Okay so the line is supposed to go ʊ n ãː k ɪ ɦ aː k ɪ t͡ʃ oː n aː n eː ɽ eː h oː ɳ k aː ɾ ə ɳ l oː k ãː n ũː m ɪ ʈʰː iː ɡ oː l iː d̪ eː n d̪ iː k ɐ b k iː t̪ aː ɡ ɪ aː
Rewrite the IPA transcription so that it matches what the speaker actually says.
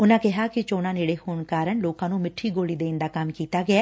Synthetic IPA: ʊ n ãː k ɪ ɦ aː k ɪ t͡ʃ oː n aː n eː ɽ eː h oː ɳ k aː ɾ ə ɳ l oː k ãː n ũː m ɪ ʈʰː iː ɡ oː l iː d̪ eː n d̪ aː k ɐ m k iː t̪ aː ɡ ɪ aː